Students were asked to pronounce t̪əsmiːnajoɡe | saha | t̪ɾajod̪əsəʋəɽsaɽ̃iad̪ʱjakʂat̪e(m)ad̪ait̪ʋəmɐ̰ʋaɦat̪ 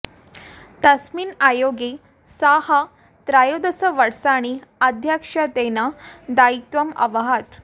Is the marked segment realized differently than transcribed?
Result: yes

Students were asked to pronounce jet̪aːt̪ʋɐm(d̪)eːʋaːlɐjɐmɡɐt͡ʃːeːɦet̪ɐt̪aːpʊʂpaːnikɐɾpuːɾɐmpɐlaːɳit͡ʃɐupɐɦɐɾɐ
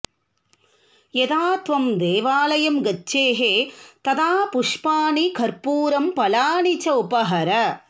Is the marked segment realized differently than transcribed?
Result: no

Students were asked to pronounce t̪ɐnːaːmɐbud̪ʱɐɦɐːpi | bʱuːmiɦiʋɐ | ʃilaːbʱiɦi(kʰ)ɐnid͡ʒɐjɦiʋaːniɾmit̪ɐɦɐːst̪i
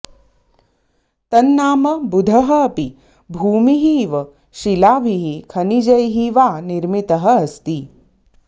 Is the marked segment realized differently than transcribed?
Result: no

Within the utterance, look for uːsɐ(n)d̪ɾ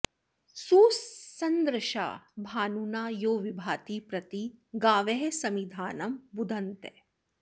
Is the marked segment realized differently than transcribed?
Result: no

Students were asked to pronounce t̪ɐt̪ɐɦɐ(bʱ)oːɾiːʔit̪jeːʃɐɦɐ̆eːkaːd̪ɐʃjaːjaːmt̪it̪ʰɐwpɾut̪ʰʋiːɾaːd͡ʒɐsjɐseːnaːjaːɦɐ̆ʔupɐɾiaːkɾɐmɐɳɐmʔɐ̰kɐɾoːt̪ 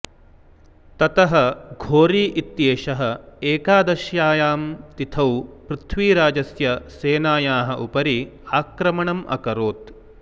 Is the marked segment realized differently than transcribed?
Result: yes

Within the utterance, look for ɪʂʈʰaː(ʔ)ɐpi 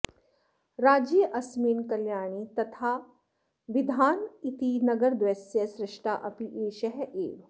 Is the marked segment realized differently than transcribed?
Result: no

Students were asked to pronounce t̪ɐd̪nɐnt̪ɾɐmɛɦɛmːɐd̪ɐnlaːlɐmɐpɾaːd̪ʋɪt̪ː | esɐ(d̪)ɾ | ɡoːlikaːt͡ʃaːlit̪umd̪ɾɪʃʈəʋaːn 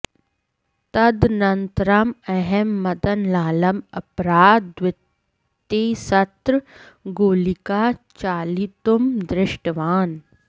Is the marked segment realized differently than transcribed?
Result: yes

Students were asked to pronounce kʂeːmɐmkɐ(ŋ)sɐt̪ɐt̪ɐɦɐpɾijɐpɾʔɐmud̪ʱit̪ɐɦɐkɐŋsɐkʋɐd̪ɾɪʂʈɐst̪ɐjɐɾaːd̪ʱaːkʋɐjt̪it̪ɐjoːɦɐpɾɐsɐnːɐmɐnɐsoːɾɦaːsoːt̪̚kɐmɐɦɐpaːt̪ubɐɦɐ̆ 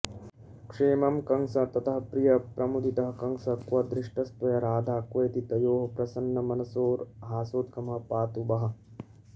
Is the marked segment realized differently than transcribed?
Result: no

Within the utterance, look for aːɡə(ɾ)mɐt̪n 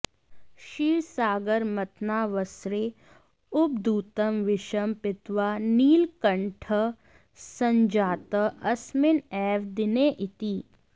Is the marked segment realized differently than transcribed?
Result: no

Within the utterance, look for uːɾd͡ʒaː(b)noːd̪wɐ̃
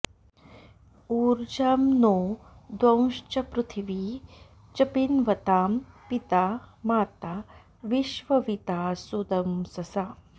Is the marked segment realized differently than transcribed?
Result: yes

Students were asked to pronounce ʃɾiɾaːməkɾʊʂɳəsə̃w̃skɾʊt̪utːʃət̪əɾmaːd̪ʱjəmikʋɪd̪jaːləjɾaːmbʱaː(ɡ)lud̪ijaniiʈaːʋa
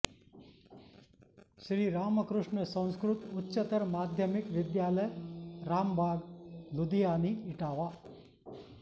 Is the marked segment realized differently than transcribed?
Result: no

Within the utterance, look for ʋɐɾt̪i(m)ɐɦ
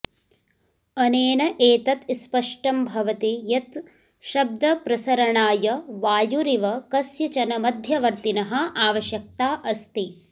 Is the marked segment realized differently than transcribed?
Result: yes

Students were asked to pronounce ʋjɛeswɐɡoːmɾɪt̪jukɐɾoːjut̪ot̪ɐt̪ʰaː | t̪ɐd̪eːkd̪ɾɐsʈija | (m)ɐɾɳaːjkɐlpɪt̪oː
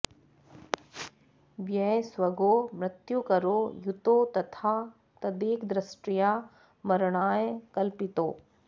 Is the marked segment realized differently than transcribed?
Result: no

